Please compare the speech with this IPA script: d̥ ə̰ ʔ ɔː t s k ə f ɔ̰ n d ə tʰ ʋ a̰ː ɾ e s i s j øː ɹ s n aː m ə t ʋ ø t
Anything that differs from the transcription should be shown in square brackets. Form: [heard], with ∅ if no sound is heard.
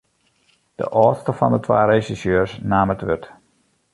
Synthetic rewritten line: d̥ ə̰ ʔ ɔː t s [t] ə f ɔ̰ n d ə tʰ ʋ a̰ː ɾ e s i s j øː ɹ s n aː m ə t ʋ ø t